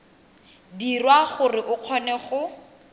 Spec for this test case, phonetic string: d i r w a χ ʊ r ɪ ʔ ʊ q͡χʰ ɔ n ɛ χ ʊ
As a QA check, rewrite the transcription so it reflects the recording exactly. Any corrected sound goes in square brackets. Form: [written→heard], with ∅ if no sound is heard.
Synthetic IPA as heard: d i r w a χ ʊ r ɪ ʔ ʊ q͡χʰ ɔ n ɛ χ ʊ